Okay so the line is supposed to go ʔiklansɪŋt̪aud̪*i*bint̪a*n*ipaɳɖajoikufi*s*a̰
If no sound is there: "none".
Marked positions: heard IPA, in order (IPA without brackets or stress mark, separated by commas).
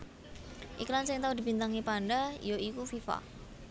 i, ŋ, f